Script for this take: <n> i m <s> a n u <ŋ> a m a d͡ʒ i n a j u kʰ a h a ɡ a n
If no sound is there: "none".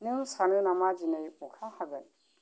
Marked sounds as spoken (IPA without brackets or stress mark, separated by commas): n, s, n